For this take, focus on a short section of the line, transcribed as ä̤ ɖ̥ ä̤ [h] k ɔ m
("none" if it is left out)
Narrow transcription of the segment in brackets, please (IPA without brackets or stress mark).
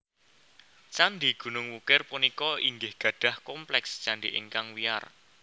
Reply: h